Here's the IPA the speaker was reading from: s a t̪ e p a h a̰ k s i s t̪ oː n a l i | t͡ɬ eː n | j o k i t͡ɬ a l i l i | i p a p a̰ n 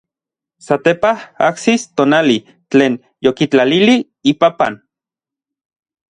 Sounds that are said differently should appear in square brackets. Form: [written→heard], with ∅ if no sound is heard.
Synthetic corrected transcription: s a t̪ e p a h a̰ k s i s t̪ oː n a l i | t͡ɬ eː n | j o k i t͡ɬ a l i l i | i p a p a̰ n

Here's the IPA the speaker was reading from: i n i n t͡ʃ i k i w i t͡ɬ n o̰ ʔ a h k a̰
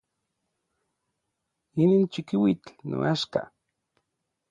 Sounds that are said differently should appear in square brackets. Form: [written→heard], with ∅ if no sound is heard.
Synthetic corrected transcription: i n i n t͡ʃ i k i w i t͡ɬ n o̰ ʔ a [h→ʃ] k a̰

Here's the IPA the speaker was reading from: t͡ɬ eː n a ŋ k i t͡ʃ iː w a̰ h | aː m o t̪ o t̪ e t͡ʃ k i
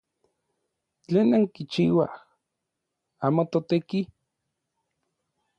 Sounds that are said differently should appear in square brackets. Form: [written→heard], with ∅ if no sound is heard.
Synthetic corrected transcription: t͡ɬ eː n a ŋ k i t͡ʃ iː w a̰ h | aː m o t̪ o t̪ e [t͡ʃ→∅] k i

